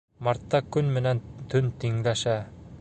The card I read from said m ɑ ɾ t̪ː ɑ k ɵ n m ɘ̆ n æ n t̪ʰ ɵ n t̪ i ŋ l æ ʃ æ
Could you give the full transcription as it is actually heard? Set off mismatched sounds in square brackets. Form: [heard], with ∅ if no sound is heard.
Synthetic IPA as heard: m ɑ ɾ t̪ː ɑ k ɵ n m ɘ̆ n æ n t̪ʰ ɵ n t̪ i ŋ l æ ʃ æ